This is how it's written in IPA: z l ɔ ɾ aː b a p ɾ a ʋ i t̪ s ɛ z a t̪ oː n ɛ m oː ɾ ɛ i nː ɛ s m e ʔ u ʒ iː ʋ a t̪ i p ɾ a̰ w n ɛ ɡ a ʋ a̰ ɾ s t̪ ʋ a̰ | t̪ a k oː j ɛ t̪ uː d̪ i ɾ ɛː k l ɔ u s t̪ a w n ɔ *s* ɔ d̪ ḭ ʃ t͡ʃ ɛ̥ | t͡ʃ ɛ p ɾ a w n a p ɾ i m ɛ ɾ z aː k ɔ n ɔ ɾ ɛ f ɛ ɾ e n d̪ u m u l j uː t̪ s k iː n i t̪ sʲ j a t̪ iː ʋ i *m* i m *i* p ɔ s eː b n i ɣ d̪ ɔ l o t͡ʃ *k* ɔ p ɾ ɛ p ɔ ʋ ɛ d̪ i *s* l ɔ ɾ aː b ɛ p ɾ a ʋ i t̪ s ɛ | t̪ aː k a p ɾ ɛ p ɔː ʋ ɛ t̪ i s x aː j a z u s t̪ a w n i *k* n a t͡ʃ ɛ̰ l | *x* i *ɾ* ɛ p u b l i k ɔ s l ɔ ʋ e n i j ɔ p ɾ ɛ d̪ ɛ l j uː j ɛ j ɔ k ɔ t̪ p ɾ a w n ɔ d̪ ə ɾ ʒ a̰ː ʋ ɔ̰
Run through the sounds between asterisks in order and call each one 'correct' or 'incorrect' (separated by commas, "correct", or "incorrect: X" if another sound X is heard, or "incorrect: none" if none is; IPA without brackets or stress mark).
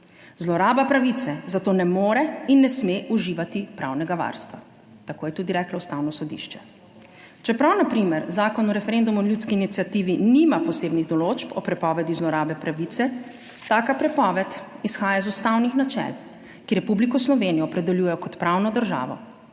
correct, incorrect: n, incorrect: a, incorrect: p, incorrect: z, incorrect: x, incorrect: k, correct